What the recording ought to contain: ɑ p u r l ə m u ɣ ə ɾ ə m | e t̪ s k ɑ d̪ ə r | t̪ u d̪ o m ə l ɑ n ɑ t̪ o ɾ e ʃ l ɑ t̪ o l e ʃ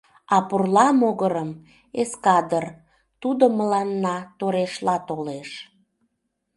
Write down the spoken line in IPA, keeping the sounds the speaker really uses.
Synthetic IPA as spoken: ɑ p u r l ɑ m o ɣ ə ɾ ə m | e s k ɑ d̪ ə r | t̪ u d̪ o m ə l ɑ nː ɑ t̪ o ɾ e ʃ l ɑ t̪ o l e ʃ